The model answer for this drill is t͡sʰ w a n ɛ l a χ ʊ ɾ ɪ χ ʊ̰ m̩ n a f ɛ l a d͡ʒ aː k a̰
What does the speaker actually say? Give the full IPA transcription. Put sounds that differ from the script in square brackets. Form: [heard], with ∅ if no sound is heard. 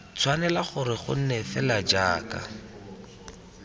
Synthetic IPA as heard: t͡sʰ w a n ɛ l a χ ʊ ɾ ɪ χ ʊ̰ [n̩] n [ɛ] f ɛ l a d͡ʒ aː k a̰